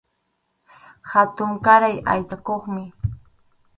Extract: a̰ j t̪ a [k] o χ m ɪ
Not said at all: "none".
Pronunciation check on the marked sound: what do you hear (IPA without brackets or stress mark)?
k